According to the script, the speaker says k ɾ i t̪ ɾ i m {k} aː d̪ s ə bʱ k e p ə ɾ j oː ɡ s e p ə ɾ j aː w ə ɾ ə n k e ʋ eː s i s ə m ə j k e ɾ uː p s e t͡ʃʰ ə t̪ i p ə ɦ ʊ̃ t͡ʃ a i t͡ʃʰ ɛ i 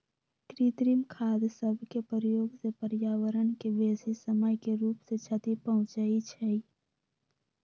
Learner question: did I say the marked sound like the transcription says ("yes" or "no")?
no